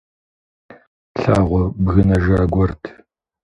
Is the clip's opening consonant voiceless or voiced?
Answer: voiceless